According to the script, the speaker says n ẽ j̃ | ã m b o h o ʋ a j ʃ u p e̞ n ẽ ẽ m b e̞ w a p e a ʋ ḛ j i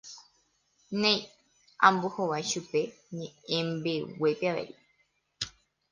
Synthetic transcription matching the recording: n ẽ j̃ | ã m b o h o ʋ a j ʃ u p e̞ ɲ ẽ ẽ m b e̞ w e p e a ʋ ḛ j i